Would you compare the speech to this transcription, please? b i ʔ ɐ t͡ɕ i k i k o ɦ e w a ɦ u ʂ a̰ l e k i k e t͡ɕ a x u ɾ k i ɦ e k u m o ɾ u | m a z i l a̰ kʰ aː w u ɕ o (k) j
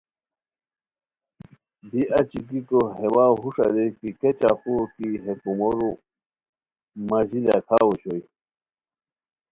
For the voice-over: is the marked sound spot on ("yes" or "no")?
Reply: no